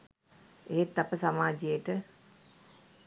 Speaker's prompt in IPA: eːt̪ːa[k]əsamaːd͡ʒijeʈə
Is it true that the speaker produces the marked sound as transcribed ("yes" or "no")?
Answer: no